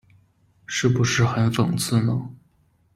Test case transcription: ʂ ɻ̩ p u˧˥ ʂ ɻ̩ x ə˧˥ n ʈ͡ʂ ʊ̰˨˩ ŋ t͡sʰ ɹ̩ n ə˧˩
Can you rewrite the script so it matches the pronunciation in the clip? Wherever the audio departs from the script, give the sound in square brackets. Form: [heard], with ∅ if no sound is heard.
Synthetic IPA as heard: ʂ ɻ̩ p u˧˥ ʂ ɻ̩ x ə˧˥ n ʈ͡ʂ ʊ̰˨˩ ŋ t͡sʰ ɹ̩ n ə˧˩